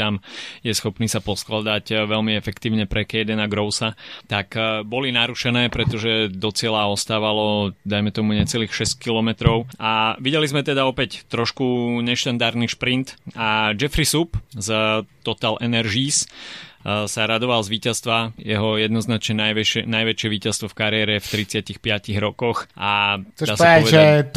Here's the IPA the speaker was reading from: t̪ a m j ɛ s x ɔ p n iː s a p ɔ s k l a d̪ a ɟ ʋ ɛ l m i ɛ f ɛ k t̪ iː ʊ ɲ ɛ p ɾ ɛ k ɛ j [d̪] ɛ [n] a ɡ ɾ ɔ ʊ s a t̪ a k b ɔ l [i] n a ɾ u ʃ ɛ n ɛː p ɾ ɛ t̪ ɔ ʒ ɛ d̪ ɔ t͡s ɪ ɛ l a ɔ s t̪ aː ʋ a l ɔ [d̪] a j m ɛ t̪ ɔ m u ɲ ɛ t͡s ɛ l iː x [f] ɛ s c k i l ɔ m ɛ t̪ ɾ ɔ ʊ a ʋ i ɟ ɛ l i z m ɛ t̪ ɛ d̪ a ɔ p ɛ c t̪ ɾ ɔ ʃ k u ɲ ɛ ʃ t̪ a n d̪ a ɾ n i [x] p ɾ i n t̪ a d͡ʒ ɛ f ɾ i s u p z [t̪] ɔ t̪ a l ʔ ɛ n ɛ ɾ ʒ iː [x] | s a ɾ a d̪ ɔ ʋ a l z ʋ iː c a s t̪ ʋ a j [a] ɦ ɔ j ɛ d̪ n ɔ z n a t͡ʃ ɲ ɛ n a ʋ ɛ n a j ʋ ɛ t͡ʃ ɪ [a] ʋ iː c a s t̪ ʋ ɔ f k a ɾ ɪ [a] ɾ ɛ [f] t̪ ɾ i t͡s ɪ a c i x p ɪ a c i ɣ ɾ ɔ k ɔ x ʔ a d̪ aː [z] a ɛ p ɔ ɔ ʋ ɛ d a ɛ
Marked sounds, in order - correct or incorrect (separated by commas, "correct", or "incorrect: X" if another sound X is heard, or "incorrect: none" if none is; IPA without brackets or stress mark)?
correct, correct, correct, correct, incorrect: ʃ, incorrect: ʃ, correct, incorrect: s, incorrect: ɛ, incorrect: ɛ, incorrect: ɛ, correct, incorrect: s